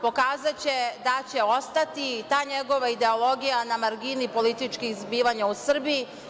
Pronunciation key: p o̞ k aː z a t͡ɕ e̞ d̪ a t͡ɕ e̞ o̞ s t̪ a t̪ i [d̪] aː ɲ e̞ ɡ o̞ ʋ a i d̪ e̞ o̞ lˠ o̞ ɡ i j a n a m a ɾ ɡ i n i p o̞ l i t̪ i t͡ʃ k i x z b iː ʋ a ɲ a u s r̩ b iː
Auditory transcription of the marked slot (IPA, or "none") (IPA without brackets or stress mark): t̪